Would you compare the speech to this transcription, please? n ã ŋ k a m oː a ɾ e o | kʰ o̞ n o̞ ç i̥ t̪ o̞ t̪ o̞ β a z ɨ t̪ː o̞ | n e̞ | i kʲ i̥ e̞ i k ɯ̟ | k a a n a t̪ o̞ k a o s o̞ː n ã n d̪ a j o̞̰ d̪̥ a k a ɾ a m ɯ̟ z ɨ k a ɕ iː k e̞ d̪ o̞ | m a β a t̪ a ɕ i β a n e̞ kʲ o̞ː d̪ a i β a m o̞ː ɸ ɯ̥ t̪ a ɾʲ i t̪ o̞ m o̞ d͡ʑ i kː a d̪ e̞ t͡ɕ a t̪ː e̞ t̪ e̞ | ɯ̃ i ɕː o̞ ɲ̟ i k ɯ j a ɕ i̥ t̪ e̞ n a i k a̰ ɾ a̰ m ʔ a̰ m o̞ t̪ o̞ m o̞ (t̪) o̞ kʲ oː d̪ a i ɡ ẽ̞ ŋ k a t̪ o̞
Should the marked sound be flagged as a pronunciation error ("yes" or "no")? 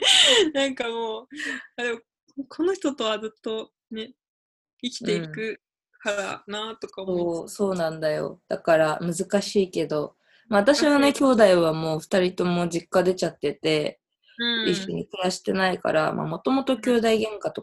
no